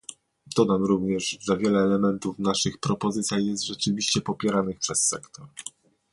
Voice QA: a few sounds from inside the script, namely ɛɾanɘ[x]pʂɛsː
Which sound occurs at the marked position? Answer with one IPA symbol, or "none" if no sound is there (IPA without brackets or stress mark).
x